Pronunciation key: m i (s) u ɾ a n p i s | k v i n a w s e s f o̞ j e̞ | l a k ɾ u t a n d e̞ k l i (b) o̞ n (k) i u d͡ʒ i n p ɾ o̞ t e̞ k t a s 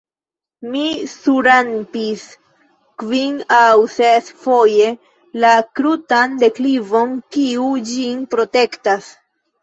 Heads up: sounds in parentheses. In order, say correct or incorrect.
correct, incorrect: v, correct

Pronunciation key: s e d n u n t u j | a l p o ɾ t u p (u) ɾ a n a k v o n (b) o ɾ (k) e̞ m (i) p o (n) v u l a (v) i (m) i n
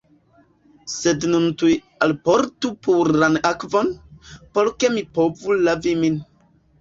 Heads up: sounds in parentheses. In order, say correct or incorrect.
correct, incorrect: p, correct, correct, incorrect: none, correct, correct

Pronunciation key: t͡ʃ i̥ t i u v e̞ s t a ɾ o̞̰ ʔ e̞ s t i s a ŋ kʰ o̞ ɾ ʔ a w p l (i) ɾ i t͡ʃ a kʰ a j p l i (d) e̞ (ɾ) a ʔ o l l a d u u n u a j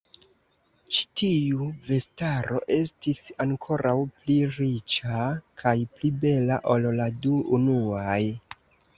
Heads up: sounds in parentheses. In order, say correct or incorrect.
correct, incorrect: b, incorrect: l

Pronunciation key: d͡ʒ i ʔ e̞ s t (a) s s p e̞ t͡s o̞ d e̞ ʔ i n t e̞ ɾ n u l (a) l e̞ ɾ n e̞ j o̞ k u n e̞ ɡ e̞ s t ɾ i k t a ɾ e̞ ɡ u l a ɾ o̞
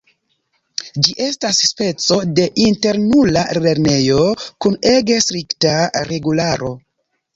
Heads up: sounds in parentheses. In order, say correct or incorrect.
correct, correct

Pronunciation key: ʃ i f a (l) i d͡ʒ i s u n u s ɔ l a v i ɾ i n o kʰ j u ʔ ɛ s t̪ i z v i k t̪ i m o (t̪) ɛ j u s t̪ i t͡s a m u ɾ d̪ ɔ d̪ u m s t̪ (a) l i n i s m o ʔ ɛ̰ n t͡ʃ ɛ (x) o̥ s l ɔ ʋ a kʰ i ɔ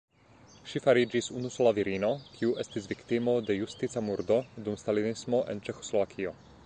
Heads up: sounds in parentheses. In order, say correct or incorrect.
incorrect: ɾ, incorrect: d̪, correct, correct

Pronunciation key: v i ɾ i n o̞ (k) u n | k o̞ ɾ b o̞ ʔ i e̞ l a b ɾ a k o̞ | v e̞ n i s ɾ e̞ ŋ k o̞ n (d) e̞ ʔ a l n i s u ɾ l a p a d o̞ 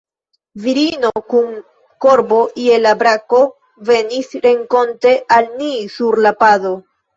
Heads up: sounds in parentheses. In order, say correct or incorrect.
correct, incorrect: t

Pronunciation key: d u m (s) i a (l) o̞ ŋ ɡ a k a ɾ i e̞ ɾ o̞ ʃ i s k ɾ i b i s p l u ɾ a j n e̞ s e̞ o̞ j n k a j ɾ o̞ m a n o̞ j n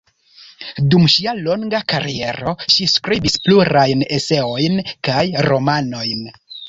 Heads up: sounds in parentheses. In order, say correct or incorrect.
incorrect: ʃ, correct

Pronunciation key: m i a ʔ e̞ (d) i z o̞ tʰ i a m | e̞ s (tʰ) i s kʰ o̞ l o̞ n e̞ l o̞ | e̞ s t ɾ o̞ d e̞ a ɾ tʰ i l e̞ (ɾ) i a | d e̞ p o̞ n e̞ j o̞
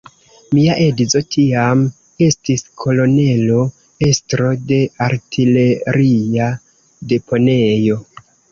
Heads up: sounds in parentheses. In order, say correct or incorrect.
correct, incorrect: t, correct

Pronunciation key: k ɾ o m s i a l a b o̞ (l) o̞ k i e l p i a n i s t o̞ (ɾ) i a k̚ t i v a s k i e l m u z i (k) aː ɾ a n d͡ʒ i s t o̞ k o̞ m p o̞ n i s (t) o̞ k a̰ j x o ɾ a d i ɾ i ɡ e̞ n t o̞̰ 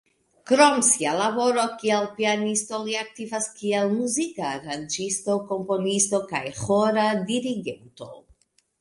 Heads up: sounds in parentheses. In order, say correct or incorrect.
incorrect: ɾ, incorrect: l, correct, correct

